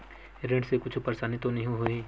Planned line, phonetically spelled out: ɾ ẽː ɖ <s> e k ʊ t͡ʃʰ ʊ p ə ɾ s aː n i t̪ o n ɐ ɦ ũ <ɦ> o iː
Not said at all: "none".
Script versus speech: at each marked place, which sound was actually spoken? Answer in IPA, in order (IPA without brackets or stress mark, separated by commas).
s, ɦ